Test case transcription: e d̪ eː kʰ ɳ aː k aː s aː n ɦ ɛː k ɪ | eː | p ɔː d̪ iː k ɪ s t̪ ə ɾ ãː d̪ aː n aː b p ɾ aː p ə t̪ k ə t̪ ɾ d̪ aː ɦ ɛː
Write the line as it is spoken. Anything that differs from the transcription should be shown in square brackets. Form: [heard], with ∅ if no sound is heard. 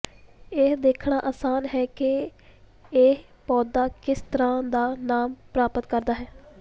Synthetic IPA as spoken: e d̪ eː kʰ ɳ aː [ʔ] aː s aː n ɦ ɛː k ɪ | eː | p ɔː d̪ [aː] k ɪ s t̪ ə ɾ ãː d̪ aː n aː [m] p ɾ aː p ə t̪ k ə [∅] ɾ d̪ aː ɦ ɛː